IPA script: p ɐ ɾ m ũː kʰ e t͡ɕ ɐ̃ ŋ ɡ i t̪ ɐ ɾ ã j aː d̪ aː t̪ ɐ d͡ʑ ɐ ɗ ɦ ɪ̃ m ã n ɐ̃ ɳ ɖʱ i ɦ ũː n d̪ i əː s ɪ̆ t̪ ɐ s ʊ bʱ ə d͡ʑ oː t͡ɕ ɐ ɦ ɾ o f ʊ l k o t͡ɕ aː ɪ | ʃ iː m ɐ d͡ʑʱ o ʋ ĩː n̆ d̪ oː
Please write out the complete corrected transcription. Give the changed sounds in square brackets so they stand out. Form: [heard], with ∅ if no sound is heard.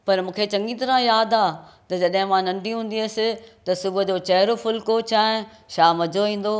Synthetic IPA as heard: p ɐ ɾ m ũː kʰ e t͡ɕ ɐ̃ ŋ ɡ i t̪ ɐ ɾ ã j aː d̪ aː t̪ ɐ d͡ʑ ɐ ɗ ɦ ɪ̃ m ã n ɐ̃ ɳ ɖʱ i ɦ ũː n d̪ i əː s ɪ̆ t̪ ɐ s ʊ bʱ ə d͡ʑ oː t͡ɕ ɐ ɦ ɾ o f ʊ l k o t͡ɕ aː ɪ | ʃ [aː] m ɐ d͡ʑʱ o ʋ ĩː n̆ d̪ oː